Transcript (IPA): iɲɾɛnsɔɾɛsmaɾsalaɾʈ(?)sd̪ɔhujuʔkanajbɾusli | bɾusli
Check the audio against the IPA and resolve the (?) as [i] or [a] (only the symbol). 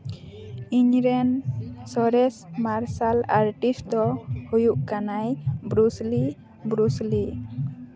i